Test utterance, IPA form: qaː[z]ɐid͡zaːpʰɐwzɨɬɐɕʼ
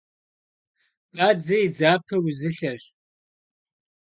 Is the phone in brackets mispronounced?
yes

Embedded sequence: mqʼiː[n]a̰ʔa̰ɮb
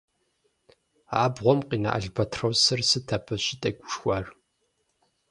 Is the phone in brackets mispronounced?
no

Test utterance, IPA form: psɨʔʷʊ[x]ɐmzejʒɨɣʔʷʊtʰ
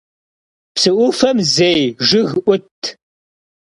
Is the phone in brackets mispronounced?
yes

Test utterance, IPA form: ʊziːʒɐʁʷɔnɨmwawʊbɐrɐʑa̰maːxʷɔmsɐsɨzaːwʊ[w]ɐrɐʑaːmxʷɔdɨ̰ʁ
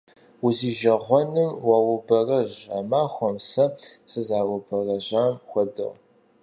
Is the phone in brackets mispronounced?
yes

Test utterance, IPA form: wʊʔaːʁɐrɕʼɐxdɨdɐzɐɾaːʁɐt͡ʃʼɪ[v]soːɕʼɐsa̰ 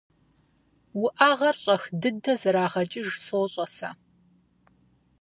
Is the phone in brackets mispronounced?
yes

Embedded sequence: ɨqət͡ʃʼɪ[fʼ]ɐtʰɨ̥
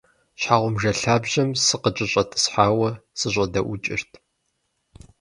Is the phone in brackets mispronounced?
yes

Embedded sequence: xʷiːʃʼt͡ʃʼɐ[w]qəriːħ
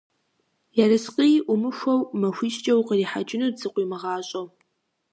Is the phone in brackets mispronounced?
no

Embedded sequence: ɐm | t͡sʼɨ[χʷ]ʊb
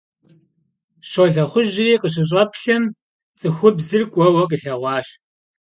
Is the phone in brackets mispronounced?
yes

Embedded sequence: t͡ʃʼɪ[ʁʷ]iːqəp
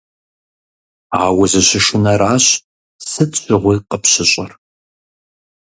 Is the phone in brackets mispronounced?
no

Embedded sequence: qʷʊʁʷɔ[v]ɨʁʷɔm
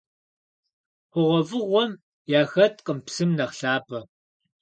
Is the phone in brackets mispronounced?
no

